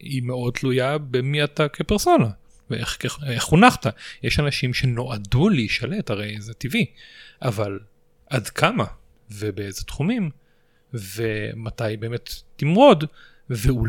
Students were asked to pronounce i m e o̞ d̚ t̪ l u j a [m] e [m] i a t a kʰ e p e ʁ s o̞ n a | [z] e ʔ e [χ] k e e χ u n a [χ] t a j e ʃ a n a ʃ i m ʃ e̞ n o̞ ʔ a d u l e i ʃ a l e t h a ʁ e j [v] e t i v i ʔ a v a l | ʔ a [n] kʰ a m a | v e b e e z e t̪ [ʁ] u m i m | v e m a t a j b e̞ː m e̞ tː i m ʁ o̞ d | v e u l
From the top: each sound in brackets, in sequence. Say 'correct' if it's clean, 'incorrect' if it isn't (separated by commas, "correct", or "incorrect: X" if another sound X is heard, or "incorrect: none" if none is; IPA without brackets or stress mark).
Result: incorrect: b, correct, incorrect: v, correct, correct, incorrect: z, incorrect: d, incorrect: χ